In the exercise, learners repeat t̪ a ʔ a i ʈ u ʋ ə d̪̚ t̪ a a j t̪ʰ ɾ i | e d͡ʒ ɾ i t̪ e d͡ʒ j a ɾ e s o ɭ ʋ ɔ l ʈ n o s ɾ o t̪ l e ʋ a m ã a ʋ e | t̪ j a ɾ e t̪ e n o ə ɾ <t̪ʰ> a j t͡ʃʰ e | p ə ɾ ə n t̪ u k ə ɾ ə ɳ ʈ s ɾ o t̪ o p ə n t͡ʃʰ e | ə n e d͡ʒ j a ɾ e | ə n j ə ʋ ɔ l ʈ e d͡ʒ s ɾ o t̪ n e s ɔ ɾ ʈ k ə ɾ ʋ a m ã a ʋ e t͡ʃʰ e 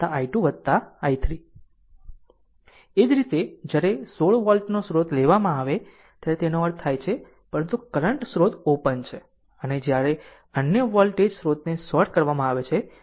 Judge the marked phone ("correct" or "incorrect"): correct